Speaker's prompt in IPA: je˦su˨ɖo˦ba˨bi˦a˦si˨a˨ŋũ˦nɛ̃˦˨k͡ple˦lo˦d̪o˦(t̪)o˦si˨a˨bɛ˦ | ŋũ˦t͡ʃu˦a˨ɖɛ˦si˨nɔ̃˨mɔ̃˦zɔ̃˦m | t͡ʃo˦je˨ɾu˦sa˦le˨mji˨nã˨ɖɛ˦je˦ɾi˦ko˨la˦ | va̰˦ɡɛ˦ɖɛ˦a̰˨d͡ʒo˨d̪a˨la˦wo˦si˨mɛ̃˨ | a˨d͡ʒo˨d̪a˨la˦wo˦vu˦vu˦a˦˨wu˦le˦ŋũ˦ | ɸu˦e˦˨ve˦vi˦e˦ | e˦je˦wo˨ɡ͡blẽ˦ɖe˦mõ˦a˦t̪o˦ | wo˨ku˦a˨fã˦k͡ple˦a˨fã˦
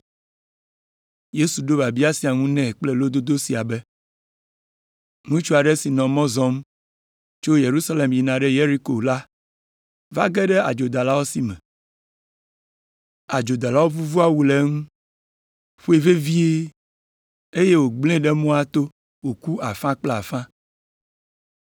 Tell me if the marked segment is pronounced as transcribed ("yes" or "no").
no